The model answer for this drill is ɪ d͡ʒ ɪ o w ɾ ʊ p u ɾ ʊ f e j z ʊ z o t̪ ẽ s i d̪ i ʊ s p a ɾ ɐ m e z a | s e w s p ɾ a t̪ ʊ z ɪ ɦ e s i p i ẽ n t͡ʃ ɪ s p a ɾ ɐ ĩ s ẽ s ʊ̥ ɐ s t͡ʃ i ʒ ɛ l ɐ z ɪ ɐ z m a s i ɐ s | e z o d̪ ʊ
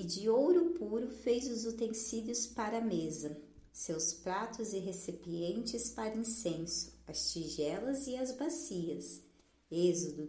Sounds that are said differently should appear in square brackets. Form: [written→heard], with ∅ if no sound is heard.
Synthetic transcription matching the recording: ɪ d͡ʒ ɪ o w ɾ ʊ p u ɾ ʊ f e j z ʊ z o t̪ ẽ s i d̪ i ʊ s p a ɾ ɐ m e z [a→ɐ] | s e w s p ɾ a t̪ ʊ z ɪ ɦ e s i p i ẽ n t͡ʃ ɪ s p a ɾ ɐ ĩ s ẽ s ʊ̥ ɐ s t͡ʃ i ʒ ɛ l ɐ z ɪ ɐ z [m→b] a s i ɐ s | e z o d̪ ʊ